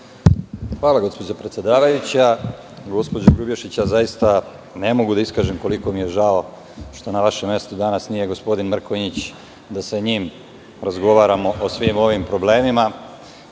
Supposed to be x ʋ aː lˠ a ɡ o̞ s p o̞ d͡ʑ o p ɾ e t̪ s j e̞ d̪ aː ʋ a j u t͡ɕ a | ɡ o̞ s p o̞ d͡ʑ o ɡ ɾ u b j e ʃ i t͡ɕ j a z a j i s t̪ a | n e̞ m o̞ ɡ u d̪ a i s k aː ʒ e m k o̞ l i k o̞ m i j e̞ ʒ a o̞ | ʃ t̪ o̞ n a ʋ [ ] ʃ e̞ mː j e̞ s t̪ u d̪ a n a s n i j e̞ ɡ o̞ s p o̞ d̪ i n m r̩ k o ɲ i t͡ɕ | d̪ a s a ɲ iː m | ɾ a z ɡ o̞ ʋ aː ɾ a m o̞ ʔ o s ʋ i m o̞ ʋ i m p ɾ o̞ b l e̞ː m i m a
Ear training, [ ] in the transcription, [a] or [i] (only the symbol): a